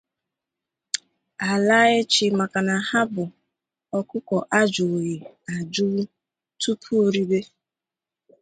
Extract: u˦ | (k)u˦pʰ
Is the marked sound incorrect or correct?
incorrect